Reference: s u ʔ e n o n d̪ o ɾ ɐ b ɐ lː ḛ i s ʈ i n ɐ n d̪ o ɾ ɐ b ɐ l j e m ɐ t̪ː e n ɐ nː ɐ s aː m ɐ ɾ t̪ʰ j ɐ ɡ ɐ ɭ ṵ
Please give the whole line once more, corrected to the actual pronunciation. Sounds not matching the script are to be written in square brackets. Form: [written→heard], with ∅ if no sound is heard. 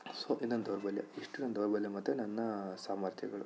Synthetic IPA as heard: s [u→o] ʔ [e→i] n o n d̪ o ɾ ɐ b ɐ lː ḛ i [s→ʂ] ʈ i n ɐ n d̪ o ɾ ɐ b ɐ l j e m ɐ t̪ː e n ɐ nː ɐ s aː m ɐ ɾ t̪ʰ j ɐ ɡ ɐ ɭ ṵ